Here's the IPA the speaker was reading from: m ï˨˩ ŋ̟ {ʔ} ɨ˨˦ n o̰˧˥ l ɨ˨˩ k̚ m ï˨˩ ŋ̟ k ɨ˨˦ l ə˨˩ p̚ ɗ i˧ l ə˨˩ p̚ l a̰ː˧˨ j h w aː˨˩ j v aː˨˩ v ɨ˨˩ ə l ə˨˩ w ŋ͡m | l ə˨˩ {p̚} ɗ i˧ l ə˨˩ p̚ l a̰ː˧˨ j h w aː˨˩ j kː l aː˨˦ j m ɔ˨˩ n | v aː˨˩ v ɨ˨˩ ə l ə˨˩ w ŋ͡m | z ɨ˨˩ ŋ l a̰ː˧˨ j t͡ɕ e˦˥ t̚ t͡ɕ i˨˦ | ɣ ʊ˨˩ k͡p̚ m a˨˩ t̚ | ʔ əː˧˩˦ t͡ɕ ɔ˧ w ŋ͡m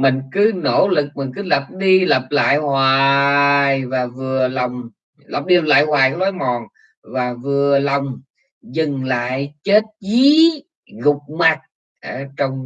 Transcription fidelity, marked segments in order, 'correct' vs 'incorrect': incorrect: k, correct

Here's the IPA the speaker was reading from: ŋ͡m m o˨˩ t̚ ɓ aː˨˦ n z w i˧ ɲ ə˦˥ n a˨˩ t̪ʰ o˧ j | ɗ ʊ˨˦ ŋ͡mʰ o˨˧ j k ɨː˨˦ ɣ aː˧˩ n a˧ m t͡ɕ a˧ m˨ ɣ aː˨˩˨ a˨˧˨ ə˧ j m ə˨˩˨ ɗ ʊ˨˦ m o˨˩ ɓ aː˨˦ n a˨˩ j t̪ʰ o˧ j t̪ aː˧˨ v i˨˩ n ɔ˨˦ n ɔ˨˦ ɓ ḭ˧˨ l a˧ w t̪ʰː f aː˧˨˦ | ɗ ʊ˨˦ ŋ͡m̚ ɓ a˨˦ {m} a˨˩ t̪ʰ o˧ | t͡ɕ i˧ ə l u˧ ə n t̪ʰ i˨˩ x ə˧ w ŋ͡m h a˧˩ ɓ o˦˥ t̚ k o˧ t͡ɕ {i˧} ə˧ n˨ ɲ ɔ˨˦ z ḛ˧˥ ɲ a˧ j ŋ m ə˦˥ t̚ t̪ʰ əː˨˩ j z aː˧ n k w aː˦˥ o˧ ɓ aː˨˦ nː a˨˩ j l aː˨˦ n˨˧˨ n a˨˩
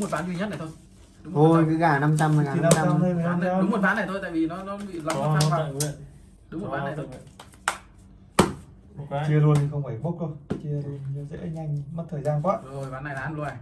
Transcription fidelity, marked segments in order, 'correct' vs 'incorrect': incorrect: n, correct

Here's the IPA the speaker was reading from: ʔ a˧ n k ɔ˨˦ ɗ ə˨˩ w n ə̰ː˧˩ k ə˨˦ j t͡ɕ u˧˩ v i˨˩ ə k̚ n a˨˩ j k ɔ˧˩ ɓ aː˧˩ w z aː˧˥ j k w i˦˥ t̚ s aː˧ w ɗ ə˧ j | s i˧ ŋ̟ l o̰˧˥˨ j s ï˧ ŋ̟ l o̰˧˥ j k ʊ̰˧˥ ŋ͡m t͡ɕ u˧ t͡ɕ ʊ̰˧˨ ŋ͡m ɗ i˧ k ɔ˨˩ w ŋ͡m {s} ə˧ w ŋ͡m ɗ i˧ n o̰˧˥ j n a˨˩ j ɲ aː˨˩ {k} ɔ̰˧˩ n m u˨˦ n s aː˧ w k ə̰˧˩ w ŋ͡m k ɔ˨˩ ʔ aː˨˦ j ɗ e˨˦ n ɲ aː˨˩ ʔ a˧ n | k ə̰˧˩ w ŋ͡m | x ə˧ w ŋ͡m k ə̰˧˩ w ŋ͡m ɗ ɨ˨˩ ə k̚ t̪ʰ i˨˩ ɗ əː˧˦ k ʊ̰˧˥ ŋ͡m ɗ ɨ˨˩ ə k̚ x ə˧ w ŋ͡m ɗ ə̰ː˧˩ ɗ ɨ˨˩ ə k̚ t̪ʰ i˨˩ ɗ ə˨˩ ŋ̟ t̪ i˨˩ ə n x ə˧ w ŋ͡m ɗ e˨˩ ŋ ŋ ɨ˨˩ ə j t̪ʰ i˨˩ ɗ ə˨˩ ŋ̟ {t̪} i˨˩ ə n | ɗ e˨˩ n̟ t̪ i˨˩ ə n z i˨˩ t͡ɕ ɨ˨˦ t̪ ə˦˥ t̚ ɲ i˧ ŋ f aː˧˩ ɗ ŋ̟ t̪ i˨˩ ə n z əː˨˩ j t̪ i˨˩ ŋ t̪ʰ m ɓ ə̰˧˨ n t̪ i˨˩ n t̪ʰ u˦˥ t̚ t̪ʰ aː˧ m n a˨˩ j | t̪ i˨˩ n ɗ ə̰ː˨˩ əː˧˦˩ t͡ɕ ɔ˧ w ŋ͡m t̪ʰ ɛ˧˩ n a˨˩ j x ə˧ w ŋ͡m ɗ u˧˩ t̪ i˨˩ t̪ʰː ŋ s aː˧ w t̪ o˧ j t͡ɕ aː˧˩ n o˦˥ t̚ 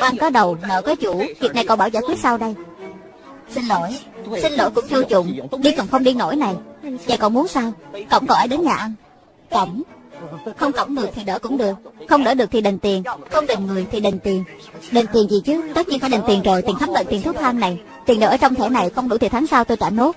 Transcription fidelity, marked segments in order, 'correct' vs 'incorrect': incorrect: x, correct, correct

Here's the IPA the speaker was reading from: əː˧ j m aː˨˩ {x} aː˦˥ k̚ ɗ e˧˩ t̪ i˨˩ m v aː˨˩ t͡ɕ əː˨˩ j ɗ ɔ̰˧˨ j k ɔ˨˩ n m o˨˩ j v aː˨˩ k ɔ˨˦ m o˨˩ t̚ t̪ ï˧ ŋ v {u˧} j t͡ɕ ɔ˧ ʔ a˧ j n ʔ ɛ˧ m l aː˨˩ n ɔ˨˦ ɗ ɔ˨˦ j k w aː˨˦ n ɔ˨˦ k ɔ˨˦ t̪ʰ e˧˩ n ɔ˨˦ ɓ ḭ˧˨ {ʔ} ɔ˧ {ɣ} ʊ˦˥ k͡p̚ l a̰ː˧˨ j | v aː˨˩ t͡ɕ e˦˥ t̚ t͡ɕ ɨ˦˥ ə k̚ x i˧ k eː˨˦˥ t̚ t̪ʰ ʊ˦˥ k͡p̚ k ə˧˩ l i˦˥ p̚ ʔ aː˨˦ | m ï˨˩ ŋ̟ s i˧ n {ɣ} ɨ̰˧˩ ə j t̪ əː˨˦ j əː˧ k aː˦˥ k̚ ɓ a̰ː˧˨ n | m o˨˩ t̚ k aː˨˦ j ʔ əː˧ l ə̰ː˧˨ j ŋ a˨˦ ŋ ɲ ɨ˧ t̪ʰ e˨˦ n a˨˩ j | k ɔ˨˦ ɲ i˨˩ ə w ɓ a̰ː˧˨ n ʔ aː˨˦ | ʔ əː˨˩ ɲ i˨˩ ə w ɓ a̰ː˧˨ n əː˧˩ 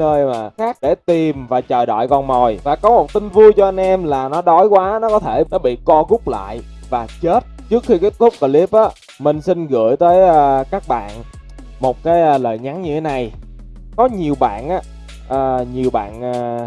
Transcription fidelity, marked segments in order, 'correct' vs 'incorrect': correct, correct, incorrect: k, correct, correct

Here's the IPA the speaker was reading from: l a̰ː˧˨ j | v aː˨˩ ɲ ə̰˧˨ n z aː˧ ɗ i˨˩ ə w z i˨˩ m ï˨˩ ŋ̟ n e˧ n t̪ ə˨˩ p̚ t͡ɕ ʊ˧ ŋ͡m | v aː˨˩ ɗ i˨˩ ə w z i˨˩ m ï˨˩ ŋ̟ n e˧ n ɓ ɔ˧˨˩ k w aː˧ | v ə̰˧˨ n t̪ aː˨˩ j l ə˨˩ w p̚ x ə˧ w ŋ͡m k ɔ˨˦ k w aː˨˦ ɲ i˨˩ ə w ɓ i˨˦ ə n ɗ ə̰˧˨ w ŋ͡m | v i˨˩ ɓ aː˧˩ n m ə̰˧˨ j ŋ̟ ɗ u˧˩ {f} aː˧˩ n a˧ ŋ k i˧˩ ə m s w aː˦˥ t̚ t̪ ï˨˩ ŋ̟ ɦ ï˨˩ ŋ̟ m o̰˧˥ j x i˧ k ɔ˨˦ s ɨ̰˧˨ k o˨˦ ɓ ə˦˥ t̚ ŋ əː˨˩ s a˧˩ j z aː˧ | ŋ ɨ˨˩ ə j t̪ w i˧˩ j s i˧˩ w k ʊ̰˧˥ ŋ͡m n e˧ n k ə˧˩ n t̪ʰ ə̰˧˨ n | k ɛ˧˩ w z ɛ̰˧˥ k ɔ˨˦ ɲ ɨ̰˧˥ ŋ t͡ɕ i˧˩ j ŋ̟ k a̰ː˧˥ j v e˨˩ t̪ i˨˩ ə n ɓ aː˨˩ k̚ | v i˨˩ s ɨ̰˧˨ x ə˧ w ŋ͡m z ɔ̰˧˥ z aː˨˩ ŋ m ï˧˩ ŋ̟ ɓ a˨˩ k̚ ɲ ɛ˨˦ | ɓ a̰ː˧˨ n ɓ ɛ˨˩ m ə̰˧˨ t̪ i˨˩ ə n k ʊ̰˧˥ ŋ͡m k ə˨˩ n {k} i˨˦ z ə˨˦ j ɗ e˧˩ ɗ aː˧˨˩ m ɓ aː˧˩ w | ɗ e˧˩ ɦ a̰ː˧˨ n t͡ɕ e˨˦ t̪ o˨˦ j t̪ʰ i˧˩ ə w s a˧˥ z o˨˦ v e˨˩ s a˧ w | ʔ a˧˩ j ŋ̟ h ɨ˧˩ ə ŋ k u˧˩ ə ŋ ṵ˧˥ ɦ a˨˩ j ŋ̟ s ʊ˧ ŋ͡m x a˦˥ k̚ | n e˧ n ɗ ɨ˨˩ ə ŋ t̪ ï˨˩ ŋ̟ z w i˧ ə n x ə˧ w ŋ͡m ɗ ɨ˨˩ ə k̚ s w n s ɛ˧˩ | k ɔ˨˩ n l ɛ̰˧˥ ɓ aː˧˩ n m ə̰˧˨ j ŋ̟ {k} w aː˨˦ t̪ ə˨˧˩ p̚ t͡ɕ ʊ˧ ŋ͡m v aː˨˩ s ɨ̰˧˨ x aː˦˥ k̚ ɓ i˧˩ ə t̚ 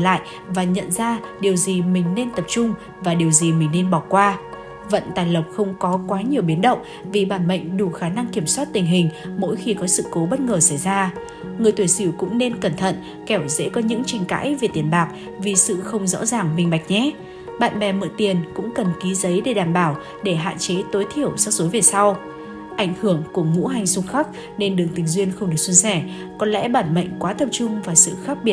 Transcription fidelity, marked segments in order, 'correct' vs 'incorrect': incorrect: x, correct, correct

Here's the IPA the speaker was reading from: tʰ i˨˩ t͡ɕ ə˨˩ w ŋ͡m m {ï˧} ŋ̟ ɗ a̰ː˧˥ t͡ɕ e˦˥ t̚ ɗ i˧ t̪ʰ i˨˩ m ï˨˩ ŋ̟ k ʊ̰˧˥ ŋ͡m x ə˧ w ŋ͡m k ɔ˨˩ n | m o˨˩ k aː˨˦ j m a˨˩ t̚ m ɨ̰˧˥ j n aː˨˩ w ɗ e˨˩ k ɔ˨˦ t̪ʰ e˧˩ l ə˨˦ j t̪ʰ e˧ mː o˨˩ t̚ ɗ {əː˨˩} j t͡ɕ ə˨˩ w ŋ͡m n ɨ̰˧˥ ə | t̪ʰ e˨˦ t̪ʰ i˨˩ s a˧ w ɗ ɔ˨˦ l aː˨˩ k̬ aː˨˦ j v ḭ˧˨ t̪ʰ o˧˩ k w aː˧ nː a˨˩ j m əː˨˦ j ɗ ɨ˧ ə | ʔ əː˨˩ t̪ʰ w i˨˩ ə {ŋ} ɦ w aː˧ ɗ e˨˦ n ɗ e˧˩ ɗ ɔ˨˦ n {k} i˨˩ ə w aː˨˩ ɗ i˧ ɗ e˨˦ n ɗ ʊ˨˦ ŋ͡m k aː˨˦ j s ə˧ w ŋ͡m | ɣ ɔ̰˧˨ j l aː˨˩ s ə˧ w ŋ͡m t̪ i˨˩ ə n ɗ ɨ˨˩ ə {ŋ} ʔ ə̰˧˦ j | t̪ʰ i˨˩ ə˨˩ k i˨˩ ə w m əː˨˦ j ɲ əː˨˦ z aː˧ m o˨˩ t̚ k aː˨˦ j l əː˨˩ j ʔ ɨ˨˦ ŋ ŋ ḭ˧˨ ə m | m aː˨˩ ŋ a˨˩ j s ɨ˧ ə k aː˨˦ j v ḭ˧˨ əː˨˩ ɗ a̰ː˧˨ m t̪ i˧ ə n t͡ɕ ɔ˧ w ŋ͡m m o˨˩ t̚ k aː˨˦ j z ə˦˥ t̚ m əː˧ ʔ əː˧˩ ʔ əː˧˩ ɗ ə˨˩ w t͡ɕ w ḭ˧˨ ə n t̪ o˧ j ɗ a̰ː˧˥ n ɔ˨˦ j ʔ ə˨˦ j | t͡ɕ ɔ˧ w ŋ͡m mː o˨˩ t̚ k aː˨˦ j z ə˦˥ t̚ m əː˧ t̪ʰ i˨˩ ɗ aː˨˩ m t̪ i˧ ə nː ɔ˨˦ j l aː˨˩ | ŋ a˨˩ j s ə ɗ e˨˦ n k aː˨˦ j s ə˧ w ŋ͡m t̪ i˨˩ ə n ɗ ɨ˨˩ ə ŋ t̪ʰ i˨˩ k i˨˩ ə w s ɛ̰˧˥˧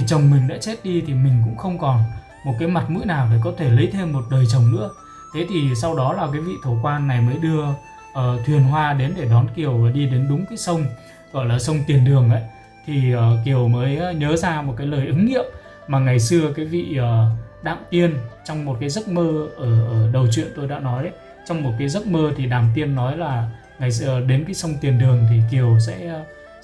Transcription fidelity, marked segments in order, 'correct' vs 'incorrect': incorrect: ï˨˩, correct, incorrect: n, correct, correct

